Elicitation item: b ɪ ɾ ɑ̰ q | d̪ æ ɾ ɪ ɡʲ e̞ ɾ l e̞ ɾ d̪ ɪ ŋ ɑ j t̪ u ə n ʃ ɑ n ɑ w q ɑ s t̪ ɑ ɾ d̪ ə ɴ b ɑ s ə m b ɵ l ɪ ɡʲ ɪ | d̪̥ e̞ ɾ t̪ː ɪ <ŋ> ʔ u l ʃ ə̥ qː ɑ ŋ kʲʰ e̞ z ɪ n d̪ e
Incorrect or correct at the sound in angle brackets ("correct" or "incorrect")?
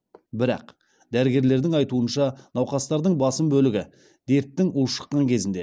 correct